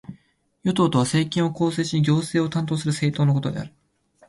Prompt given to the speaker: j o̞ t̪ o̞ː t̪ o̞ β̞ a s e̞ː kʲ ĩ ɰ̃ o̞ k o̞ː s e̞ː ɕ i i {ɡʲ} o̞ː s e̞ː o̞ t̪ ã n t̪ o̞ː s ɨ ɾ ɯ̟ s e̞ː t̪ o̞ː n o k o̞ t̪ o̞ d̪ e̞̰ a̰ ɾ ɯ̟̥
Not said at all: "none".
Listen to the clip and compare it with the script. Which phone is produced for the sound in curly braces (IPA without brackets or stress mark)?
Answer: ɡʲ